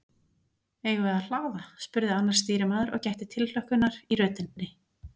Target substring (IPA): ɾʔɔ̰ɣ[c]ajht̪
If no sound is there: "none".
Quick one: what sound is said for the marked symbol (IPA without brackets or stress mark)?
c